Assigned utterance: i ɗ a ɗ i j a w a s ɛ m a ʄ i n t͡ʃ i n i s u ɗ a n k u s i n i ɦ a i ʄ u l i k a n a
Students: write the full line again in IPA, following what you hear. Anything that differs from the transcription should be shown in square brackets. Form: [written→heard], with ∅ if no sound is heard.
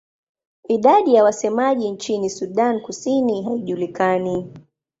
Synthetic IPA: i ɗ a ɗ i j a w a s ɛ m a ʄ i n t͡ʃ i n i s u ɗ a n k u s i n i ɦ a i ʄ u l i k a n [a→i]

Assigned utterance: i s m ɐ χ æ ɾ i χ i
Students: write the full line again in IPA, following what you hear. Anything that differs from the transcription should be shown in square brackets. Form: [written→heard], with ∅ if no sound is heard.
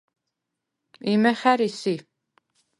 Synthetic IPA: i [s→∅] m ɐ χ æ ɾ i [χ→s] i

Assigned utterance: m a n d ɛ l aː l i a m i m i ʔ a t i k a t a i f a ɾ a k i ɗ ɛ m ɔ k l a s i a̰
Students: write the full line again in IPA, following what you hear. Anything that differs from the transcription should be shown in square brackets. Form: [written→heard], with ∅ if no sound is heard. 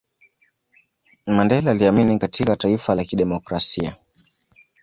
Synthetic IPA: m a n d ɛ l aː l i a m i [m→n] i [ʔ→k] a t i k a t a i f a [ɾ→l] a k i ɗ ɛ m ɔ k [l→ɾ] a s i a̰

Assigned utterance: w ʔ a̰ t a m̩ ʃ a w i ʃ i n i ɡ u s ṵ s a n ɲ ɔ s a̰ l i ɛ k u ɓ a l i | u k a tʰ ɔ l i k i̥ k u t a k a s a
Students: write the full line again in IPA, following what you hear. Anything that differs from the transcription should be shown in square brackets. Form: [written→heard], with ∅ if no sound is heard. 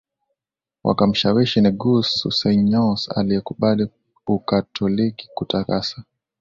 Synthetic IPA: w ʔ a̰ [t→k] a m̩ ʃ a w i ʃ i n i ɡ u s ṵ s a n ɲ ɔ s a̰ l i ɛ k u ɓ a l i | u k a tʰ ɔ l i k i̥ k u t a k a s a

